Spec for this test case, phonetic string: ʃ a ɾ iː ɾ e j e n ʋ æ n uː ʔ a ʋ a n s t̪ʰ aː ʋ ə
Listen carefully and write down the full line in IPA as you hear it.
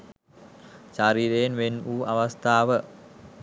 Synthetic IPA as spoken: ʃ a ɾ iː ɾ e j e n ʋ e n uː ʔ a ʋ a s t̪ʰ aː ʋ ə